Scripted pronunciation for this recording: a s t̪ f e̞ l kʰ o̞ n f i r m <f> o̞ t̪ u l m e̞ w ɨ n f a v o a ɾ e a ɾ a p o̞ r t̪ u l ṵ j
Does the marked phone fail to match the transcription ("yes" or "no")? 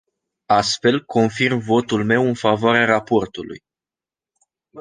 yes